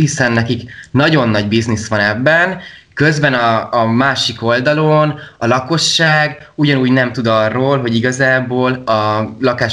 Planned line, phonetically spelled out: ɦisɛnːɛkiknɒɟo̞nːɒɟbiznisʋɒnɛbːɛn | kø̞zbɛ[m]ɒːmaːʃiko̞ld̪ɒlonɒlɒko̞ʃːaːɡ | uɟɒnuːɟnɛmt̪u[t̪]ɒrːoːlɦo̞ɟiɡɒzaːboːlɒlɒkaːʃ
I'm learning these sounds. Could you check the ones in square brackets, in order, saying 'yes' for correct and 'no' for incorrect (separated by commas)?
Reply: no, no